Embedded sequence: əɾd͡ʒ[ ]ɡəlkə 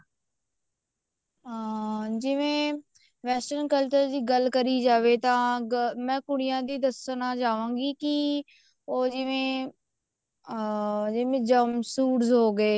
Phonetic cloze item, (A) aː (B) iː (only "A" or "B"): B